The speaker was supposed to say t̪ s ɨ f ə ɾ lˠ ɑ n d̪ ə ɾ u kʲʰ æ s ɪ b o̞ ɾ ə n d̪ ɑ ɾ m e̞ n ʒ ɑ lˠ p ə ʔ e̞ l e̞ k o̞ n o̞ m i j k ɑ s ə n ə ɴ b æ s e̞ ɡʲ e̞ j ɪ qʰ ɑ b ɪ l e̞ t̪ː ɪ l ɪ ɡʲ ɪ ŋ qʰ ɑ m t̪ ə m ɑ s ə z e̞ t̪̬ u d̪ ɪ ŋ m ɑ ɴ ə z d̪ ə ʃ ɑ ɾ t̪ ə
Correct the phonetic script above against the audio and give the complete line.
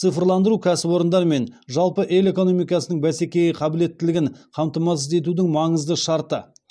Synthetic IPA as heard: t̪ s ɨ f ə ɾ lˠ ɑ n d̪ ə ɾ u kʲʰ æ s ɪ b o̞ ɾ ə n d̪ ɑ ɾ m e̞ n ʒ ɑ lˠ p ə ʔ e̞ l e̞ k o̞ n o̞ m i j k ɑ s ə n ə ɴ b æ s e̞ kʲ e̞ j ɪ qʰ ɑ b ɪ l e̞ t̪ː ɪ l ɪ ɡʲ ɪ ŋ qʰ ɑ m t̪ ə m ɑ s ə z e̞ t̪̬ u d̪ ɪ ŋ m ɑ ɴ ə z d̪ ə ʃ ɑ ɾ t̪ ə